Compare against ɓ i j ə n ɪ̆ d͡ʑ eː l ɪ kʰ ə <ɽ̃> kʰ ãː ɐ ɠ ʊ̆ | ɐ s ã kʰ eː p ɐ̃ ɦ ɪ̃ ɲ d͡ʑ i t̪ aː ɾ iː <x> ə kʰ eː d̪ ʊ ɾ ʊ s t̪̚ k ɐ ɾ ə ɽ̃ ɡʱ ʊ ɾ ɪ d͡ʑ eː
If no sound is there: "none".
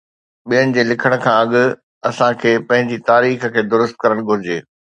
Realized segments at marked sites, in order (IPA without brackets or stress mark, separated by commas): ɽ̃, x